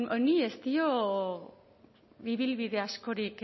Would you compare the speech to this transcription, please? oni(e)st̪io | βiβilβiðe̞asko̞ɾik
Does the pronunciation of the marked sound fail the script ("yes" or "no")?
no